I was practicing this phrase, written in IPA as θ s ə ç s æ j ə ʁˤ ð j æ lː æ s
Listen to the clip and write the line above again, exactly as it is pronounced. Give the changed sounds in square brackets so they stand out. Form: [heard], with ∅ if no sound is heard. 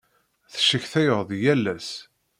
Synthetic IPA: θ [ʃ] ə ç [θ] æ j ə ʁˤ ð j æ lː æ s